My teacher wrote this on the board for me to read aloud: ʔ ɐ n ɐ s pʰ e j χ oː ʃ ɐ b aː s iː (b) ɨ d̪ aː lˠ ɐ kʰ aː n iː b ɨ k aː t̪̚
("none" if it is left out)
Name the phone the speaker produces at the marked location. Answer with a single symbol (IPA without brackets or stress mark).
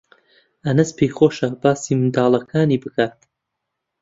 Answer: m